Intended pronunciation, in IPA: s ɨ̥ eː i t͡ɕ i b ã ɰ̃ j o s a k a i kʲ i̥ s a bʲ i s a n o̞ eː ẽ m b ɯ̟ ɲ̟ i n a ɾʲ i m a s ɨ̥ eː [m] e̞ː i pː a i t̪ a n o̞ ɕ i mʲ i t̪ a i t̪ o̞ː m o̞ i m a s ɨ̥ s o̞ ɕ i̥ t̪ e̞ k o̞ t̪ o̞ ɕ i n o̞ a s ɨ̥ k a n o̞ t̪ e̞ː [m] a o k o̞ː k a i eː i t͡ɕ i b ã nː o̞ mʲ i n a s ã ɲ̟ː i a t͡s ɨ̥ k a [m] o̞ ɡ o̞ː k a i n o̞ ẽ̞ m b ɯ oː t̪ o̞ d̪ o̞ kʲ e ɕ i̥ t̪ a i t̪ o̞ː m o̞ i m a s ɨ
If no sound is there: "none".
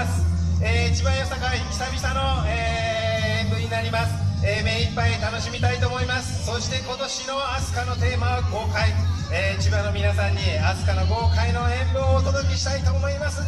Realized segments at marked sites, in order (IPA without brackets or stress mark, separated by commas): m, m, n